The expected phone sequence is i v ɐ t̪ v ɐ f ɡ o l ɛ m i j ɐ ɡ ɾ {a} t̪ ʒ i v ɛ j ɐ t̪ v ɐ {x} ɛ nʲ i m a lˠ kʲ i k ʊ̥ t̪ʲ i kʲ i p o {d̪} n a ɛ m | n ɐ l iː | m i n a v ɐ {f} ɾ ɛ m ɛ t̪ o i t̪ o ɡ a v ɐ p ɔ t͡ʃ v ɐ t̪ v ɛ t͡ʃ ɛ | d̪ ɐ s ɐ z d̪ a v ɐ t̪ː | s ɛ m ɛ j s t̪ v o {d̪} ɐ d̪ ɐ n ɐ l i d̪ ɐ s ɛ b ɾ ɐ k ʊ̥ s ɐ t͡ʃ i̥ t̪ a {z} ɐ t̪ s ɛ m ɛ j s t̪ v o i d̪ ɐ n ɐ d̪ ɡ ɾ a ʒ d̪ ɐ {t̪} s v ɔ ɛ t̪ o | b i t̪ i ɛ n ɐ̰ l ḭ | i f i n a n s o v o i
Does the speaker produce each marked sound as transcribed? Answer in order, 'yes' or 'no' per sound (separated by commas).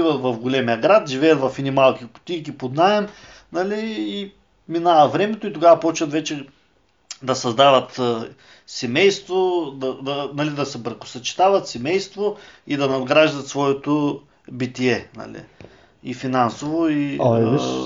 yes, no, yes, no, yes, no, yes